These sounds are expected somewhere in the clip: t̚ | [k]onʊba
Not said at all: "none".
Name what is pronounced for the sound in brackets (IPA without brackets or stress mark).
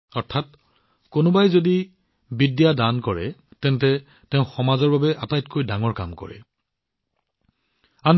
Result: k